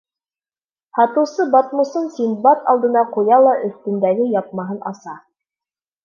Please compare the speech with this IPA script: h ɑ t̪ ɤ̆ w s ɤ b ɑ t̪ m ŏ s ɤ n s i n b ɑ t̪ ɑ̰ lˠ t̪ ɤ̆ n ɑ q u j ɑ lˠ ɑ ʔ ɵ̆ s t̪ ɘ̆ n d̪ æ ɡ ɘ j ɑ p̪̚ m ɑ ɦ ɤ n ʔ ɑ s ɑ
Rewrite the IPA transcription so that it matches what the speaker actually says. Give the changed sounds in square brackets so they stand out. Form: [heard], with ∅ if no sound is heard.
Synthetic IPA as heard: h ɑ t̪ ɤ̆ w s ɤ b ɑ t̪ m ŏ s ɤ n s i n b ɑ t̪ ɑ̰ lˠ [d̪] ɤ̆ n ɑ q u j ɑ lˠ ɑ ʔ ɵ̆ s t̪ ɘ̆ n d̪ æ ɡ ɘ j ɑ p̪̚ m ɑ ɦ ɤ n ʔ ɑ s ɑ